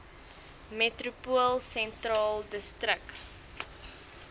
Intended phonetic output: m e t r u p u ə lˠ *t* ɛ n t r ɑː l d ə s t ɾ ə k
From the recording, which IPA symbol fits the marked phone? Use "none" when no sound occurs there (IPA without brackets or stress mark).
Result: s